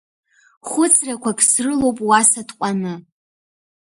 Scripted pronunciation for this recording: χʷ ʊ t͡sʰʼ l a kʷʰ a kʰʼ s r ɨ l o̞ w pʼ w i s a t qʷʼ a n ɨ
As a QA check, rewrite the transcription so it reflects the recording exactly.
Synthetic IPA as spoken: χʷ ʊ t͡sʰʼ r a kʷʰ a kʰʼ s r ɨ l o̞ w pʼ w a s a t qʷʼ a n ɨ